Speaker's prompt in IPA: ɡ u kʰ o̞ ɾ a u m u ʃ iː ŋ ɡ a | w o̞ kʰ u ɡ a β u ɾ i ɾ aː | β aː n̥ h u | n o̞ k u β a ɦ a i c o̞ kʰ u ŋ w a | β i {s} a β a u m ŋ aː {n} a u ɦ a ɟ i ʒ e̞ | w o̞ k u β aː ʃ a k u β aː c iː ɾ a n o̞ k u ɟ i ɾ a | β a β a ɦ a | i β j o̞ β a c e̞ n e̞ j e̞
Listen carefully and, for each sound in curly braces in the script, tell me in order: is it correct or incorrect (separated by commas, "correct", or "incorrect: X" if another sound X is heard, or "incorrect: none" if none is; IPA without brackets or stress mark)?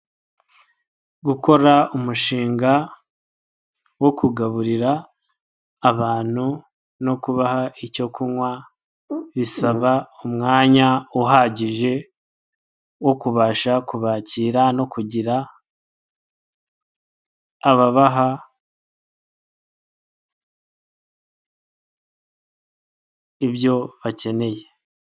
correct, incorrect: ɲ